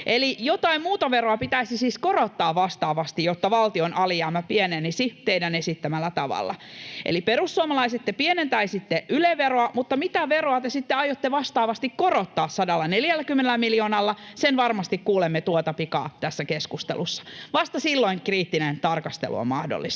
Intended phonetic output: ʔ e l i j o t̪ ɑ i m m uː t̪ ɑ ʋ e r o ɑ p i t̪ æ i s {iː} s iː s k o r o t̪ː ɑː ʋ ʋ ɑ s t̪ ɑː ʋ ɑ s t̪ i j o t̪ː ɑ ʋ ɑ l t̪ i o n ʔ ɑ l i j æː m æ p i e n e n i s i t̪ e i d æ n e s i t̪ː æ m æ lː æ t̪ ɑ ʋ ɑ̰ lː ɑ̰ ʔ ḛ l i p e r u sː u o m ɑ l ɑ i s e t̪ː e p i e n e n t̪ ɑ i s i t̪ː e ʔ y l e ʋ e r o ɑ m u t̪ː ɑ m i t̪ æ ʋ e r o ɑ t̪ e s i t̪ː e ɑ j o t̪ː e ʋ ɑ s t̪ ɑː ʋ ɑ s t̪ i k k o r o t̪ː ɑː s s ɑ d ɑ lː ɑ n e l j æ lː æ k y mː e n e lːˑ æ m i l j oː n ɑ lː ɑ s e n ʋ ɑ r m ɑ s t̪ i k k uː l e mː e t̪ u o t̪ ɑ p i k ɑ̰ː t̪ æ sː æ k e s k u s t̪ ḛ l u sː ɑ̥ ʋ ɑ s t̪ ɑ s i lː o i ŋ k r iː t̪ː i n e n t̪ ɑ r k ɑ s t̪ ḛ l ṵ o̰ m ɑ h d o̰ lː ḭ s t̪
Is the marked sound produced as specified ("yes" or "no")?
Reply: no